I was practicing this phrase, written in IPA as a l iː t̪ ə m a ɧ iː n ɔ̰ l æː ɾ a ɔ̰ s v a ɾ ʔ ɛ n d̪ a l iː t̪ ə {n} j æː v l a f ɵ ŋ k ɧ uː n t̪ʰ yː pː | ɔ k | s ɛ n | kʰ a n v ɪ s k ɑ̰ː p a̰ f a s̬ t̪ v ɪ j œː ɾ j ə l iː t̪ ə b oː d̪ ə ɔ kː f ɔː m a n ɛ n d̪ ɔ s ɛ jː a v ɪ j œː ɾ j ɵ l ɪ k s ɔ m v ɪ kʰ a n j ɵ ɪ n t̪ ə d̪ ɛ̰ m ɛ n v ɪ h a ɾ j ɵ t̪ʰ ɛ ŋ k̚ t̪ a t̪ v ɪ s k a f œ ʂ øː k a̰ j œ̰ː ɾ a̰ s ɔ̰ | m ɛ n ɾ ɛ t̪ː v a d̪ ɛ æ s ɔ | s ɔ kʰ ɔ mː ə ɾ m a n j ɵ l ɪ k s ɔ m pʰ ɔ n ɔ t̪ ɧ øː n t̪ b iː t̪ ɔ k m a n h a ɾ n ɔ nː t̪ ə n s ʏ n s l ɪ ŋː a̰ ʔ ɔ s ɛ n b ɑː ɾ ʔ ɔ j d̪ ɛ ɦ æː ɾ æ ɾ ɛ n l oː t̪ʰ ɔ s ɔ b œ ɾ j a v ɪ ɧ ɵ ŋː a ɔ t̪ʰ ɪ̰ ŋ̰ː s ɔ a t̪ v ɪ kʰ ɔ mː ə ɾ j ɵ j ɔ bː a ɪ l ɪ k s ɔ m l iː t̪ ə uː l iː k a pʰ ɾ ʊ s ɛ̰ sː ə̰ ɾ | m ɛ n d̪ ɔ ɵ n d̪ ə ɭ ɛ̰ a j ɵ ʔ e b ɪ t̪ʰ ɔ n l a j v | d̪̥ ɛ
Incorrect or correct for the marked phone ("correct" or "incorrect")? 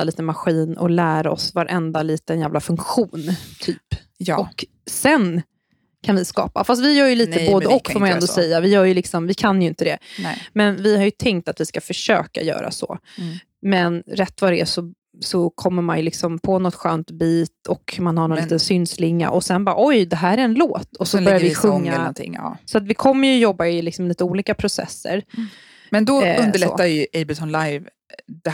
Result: correct